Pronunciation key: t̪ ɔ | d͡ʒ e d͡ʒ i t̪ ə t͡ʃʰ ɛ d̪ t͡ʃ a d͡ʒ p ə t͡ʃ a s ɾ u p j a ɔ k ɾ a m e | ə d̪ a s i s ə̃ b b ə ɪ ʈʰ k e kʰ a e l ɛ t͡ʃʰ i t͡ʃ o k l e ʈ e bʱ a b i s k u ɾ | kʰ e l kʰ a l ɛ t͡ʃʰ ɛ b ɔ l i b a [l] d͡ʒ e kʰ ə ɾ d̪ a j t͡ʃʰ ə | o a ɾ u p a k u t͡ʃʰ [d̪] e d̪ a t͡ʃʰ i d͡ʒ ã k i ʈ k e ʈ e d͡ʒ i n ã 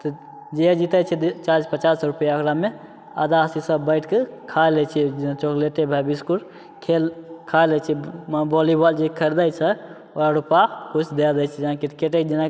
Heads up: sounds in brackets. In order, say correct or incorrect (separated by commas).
correct, correct